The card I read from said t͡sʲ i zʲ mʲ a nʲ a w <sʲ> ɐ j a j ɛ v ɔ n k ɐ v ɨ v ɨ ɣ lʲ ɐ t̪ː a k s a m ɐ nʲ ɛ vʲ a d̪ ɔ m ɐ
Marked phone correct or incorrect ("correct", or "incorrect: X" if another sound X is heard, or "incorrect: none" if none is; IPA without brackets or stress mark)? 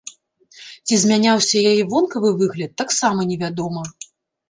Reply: correct